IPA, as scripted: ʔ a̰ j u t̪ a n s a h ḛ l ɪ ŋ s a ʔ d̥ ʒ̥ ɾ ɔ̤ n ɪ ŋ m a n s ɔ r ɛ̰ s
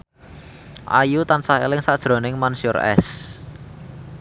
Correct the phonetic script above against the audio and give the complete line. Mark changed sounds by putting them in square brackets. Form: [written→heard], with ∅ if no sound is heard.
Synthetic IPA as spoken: ʔ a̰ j u t̪ a n s a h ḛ l ɪ ŋ s a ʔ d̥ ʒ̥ ɾ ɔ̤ n ɪ ŋ m a n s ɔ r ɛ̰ s